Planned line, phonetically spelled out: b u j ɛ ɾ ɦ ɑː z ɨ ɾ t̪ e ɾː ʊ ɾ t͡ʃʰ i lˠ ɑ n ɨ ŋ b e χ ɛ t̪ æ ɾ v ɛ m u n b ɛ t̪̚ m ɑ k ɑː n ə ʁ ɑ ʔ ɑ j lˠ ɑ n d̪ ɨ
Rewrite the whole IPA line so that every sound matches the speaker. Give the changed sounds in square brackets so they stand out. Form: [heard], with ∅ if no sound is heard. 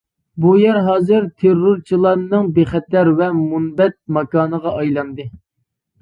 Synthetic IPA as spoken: b u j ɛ ɾ ɦ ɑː z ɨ ɾ [t̪ʰ] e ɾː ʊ ɾ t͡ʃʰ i lˠ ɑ n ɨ ŋ b e χ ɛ t̪ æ ɾ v ɛ m u n b ɛ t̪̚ m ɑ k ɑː n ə ʁ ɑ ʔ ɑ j lˠ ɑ n d̪ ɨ